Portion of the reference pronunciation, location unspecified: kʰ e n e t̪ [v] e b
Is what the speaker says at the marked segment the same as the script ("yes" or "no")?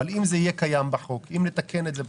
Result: no